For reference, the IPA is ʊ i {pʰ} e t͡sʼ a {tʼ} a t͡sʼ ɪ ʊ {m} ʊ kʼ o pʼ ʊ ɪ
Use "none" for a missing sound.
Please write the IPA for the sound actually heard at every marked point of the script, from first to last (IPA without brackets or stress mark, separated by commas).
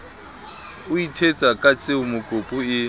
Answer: tʰ, kʼ, m